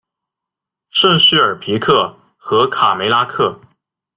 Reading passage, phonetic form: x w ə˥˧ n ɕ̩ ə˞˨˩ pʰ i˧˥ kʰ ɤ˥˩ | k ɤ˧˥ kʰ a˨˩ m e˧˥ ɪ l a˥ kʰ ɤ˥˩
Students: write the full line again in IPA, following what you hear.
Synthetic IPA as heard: ʂ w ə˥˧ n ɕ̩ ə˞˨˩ pʰ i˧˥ kʰ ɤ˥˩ | x ɤ˧˥ kʰ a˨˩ m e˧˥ ɪ l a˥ kʰ ɤ˥˩